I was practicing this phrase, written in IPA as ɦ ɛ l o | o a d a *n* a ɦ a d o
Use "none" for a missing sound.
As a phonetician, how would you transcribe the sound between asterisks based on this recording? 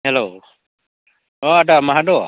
m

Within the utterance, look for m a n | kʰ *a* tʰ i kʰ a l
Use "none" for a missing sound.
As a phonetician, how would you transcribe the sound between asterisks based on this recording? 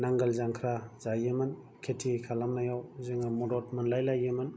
e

